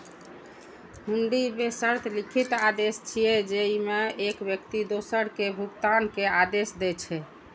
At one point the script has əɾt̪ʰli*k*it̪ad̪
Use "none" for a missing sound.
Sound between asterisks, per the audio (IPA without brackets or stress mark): kʰ